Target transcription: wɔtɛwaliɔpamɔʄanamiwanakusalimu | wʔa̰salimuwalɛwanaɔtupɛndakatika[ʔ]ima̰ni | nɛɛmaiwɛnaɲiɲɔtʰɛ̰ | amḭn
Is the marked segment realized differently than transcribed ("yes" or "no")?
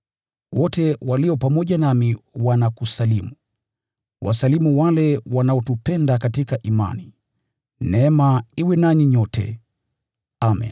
no